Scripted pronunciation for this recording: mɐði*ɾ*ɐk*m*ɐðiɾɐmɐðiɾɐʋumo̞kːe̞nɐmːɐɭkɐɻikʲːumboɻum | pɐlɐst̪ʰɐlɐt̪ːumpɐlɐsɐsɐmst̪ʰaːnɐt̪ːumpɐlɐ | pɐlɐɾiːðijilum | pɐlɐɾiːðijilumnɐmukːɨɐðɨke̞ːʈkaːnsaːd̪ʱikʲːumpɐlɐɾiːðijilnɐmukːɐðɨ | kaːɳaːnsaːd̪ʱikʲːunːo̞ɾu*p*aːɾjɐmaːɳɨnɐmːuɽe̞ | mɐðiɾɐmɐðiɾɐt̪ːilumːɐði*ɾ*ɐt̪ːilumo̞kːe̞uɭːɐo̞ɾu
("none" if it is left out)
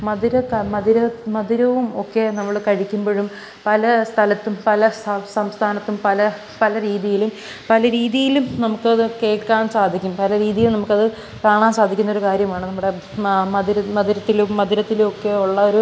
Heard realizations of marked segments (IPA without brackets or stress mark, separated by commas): ɾ, m, k, ɾ